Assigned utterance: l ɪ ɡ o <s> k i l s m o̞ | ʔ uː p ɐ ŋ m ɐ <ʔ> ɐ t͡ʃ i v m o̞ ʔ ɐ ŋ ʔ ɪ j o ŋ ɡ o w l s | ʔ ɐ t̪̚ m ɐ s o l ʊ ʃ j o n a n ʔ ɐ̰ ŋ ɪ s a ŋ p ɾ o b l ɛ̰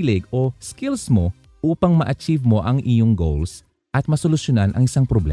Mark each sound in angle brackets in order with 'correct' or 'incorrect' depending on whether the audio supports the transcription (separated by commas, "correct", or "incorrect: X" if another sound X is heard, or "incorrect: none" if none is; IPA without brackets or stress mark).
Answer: correct, correct